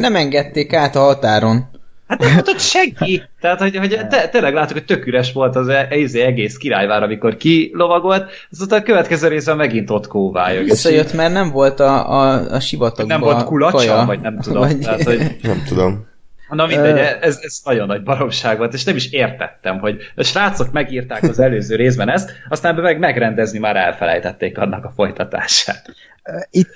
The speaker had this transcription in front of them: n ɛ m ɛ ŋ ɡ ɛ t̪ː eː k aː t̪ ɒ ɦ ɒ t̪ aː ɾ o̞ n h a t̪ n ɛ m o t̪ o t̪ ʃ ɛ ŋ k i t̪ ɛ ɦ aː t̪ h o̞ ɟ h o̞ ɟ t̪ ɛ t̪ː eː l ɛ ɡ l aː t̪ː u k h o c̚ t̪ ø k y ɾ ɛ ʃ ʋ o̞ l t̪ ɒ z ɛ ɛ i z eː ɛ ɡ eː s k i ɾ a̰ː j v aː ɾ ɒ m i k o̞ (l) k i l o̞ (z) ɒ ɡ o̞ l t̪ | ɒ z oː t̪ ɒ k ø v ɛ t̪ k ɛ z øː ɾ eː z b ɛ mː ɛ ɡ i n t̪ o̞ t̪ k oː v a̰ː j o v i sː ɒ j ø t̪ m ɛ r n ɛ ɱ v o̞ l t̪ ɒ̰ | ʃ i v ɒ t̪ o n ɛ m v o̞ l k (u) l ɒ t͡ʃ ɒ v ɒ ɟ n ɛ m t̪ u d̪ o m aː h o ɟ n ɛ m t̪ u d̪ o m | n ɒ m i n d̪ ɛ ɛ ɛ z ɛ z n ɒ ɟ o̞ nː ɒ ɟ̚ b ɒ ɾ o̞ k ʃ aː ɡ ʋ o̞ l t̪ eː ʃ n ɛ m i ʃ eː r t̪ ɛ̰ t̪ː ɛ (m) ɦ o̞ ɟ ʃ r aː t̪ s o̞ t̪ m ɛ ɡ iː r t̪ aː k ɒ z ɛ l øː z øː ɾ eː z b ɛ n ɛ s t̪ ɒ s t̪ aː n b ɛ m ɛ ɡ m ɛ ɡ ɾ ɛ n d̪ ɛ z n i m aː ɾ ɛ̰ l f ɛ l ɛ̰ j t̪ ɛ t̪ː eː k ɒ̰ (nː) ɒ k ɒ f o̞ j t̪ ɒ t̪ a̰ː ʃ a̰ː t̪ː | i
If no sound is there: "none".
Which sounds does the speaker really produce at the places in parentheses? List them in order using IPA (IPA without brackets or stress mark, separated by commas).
r, v, u, m, nː